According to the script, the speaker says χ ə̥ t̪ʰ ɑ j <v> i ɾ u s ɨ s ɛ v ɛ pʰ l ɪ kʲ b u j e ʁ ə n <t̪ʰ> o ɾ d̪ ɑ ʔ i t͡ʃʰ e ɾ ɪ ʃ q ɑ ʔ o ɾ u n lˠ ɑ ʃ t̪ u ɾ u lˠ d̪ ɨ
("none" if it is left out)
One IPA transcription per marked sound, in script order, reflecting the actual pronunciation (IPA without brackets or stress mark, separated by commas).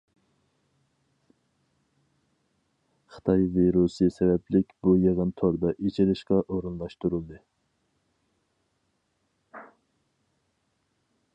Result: v, t̪ʰ